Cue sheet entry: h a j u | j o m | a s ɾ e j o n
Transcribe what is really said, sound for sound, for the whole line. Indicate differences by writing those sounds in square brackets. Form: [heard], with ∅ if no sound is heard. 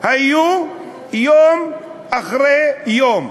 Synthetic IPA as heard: h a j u | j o m | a [χ] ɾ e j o [m]